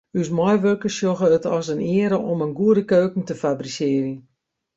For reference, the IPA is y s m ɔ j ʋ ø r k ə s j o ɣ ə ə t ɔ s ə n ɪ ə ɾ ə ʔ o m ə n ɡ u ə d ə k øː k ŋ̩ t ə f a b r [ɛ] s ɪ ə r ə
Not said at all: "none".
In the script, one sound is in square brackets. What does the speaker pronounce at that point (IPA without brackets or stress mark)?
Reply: i